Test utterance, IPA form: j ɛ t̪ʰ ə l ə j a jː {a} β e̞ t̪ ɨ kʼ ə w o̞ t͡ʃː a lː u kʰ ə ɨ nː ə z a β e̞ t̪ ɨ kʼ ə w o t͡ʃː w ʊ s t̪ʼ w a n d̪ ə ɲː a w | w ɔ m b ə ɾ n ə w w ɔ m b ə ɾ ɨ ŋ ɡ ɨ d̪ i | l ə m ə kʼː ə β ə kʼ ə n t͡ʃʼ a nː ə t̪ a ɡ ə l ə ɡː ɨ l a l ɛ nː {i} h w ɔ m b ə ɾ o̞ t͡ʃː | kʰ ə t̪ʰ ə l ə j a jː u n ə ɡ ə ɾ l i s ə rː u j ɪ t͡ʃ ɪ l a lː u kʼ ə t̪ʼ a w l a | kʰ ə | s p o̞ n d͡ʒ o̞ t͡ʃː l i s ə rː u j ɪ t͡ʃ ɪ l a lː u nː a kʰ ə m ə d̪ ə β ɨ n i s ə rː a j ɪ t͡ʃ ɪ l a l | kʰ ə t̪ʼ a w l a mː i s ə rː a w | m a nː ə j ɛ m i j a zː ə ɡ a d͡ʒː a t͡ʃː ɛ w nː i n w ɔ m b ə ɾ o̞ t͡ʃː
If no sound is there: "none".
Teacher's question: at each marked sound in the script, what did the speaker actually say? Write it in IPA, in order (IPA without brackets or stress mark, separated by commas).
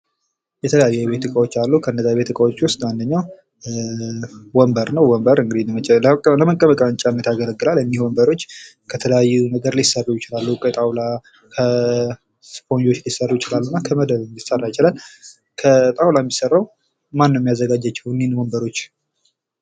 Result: ɛ, i